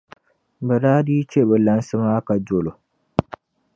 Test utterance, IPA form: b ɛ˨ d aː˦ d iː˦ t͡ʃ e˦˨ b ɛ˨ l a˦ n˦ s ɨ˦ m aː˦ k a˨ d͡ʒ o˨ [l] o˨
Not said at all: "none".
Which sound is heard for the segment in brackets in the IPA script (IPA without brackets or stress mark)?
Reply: l